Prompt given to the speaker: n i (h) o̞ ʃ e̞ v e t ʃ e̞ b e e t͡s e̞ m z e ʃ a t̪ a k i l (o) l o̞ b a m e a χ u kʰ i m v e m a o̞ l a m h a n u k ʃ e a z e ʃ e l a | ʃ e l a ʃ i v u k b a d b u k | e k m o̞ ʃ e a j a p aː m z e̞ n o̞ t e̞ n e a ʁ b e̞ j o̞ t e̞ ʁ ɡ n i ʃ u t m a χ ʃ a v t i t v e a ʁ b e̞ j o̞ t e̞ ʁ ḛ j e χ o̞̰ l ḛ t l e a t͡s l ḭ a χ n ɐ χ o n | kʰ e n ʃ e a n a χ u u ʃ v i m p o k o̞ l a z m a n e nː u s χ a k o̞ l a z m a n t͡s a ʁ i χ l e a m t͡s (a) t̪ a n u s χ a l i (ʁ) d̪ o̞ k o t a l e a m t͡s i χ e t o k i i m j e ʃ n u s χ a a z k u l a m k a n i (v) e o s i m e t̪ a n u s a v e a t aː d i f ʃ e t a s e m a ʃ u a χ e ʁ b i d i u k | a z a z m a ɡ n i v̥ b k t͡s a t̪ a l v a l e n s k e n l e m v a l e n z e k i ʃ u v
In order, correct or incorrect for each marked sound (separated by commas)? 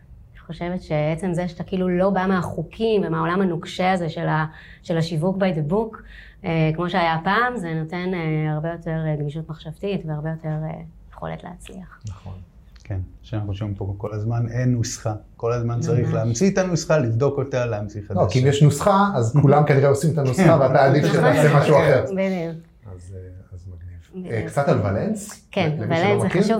incorrect, incorrect, incorrect, incorrect, incorrect